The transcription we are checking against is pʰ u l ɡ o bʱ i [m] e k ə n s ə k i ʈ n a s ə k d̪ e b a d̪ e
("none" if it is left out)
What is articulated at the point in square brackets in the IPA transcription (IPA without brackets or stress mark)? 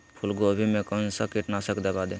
m